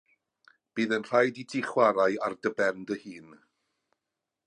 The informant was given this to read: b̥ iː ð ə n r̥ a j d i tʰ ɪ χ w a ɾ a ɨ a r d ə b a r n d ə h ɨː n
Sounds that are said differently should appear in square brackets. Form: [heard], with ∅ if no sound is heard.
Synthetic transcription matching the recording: b̥ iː ð ə n r̥ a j d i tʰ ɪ χ w a ɾ a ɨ a r d ə b [ɛ] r n d ə h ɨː n